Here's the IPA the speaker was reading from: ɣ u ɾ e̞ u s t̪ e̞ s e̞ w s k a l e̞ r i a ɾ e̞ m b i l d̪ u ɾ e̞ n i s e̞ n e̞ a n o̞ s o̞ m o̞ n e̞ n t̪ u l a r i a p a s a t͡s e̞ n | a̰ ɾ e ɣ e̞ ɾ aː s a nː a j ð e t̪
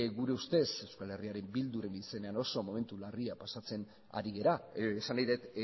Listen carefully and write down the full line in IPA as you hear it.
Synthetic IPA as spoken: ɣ u ɾ e̞ u s t̪ e̞ s e̞ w s k a l e̞ r i a ɾ e̞ m b i l d̪ u ɾ e̞ n i s e̞ n e̞ a n o̞ s o̞ m o̞ m e̞ n t̪ u l a r i a p a s a t͡s e̞ n | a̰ ɾ i ɣ e̞ ɾ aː s a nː a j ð e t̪